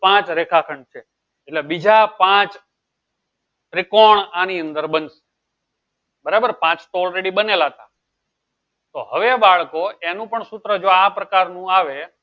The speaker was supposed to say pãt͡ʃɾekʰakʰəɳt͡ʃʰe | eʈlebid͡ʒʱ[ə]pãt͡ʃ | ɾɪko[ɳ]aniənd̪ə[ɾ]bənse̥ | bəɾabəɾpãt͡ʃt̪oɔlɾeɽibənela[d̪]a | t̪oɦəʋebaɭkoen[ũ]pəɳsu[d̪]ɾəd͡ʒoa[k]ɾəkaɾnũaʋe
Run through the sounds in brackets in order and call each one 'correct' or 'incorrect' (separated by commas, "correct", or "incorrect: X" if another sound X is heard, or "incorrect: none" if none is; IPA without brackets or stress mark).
incorrect: a, correct, correct, incorrect: t̪, correct, incorrect: t̪, incorrect: p